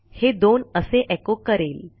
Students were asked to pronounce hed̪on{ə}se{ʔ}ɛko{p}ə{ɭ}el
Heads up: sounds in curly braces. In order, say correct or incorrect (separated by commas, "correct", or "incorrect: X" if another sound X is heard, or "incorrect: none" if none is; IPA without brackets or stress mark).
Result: correct, correct, incorrect: k, incorrect: ɾ